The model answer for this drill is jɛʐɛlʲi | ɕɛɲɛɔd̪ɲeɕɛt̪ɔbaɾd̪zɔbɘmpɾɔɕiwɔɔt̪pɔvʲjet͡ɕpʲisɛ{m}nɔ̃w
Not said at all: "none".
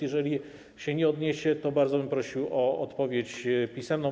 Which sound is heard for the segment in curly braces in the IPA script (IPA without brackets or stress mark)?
m